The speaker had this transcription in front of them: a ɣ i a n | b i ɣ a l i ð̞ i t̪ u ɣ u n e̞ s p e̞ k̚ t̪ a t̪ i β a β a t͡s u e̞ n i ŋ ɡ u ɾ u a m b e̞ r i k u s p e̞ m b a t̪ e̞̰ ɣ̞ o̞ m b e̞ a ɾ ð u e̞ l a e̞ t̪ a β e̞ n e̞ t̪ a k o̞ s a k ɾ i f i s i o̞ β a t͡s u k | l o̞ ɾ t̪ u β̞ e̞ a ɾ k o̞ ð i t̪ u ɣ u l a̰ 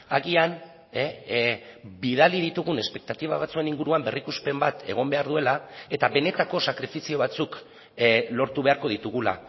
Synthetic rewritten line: a ɣ i a n | b i ð a l i ð̞ i t̪ u ɣ u n e̞ s p e̞ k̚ t̪ a t̪ i β a β a t͡s u e̞ n i ŋ ɡ u ɾ u a m b e̞ r i k u s p e̞ m b a t̪ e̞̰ ɣ̞ o̞ m b e̞ a ɾ ð u e̞ l a e̞ t̪ a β e̞ n e̞ t̪ a k o̞ s a k ɾ i f i s i o̞ β a t͡s u k | l o̞ ɾ t̪ u β̞ e̞ a ɾ k o̞ ð i t̪ u ɣ u l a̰